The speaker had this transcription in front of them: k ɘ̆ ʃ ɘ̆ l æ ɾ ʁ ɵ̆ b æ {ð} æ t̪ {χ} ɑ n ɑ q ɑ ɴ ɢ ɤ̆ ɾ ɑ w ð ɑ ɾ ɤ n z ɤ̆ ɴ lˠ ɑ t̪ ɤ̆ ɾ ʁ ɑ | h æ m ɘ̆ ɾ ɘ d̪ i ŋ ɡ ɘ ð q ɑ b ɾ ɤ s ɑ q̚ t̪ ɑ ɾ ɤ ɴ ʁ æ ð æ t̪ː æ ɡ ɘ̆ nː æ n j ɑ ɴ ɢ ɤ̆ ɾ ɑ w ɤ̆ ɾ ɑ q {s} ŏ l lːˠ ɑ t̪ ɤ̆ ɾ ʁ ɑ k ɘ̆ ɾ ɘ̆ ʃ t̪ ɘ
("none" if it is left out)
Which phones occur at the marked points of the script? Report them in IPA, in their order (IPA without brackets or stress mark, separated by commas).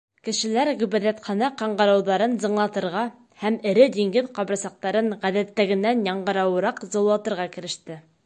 ð, χ, z